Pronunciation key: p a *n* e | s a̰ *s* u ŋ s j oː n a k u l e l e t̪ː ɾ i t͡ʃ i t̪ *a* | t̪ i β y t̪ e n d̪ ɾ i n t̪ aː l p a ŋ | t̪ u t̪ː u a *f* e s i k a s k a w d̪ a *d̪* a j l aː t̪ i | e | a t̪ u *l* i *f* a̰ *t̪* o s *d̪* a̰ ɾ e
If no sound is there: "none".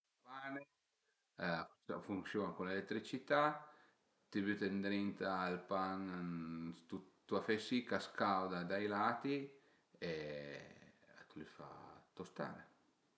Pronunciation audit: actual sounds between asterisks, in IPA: n, f, a, f, d̪, l, f, t̪, t̪

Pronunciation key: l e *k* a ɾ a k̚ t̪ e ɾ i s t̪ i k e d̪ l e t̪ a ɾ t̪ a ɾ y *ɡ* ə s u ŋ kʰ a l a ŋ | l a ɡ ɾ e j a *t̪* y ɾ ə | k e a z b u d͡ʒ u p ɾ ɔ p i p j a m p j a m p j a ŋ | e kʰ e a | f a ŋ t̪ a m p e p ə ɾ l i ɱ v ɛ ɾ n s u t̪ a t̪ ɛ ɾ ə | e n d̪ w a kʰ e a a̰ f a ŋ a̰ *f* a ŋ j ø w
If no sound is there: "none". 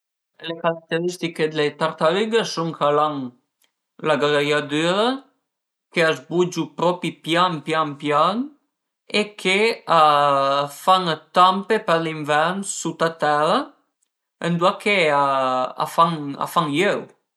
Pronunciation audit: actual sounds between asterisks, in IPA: k, ɡ, d̪, f

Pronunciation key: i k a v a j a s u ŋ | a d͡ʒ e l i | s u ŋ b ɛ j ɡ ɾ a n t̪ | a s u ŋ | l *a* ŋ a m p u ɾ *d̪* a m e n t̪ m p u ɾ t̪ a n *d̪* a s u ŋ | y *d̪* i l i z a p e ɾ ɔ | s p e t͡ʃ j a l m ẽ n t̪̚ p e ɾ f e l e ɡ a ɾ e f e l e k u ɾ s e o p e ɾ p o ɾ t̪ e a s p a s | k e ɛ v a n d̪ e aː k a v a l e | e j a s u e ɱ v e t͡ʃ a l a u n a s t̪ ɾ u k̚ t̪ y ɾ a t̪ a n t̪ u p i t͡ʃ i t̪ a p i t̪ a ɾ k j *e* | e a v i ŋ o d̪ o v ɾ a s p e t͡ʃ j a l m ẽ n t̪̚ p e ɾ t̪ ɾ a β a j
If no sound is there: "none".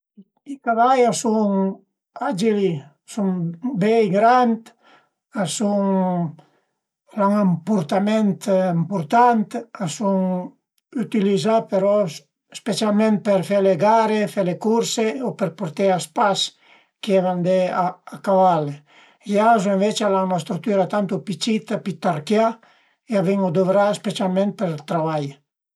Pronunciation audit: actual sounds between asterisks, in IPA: a, t̪, t̪, t̪, a

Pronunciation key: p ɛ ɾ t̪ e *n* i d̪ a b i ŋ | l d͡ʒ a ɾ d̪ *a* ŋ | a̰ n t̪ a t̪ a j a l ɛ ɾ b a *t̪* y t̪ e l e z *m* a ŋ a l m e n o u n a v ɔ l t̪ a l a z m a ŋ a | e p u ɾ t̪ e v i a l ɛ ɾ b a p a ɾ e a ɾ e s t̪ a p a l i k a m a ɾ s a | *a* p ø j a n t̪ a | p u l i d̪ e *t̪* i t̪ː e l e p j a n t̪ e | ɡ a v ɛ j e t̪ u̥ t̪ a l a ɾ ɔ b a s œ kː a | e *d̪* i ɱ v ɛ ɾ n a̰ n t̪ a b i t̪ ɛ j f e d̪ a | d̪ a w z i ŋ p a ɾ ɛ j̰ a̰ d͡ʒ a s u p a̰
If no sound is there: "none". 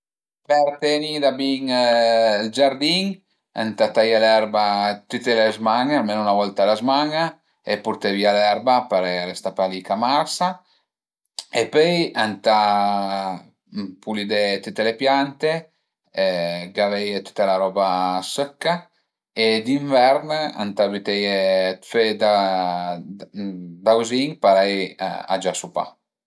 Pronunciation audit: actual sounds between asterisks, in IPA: n, i, t̪, m, e, t̪, d̪

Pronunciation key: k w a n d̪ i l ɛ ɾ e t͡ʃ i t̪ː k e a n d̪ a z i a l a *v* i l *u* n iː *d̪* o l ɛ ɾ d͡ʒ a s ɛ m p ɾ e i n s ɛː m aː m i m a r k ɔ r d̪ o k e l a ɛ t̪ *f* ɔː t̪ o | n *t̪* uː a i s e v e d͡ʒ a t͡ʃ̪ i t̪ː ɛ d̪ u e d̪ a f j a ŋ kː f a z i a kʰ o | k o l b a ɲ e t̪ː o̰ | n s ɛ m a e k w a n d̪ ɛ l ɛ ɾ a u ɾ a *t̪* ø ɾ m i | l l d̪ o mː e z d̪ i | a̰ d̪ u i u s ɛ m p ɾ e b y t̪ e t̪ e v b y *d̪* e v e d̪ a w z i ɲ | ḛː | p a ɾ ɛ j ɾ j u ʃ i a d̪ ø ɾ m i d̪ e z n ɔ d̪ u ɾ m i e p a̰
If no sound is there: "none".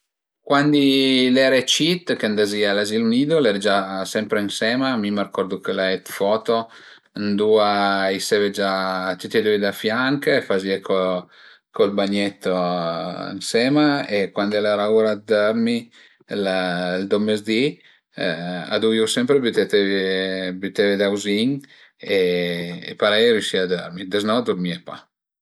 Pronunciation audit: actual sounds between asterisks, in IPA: z, u, d̪, f, d̪, d̪, t̪

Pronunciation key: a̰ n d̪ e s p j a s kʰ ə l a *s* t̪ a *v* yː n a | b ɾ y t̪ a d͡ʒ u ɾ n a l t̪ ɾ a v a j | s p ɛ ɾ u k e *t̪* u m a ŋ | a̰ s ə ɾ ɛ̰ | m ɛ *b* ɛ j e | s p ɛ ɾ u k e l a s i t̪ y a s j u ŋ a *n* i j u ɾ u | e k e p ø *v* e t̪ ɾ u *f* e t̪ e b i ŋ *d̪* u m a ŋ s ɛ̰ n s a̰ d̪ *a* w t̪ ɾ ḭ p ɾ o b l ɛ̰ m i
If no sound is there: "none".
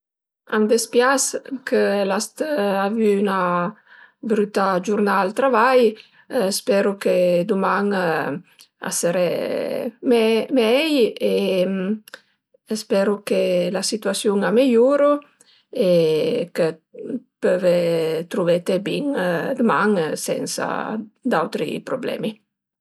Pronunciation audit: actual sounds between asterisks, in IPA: s, v, d̪, m, m, v, v, d̪, a

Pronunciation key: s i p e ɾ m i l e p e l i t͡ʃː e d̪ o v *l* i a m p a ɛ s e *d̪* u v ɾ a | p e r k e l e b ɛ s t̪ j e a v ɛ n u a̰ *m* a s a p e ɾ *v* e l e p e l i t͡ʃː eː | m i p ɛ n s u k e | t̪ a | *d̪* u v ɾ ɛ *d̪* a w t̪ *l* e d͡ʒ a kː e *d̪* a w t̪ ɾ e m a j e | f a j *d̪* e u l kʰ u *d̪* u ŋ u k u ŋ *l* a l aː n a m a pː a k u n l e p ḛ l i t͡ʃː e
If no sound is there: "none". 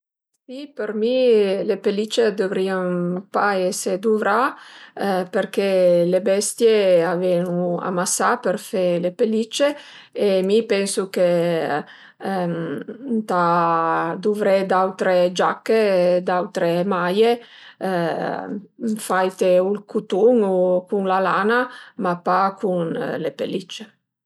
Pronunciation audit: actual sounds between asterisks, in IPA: ɾ, d̪, m, f, d̪, d̪, ɾ, d̪, t̪, t̪, l

